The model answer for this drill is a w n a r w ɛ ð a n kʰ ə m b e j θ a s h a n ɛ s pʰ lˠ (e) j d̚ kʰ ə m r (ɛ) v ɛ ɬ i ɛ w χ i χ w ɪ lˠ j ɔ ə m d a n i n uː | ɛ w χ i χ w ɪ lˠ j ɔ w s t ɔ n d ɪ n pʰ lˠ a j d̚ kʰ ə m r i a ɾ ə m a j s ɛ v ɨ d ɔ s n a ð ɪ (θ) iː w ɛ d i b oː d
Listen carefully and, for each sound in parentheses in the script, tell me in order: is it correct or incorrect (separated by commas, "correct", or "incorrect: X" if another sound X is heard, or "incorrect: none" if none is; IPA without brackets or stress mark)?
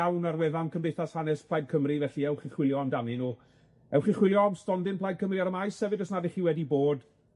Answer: incorrect: a, incorrect: i, incorrect: χ